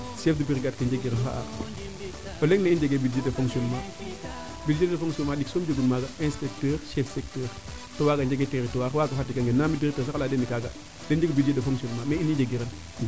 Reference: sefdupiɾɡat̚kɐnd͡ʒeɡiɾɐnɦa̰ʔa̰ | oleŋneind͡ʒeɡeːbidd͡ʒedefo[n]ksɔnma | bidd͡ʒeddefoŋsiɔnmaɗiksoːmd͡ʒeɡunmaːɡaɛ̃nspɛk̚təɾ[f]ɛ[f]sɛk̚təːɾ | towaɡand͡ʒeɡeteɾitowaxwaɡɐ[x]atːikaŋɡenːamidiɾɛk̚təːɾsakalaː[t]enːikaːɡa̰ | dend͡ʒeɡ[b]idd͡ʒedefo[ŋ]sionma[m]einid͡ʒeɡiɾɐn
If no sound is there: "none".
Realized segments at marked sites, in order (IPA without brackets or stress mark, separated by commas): ŋ, ʃ, f, f, d, b, ŋ, m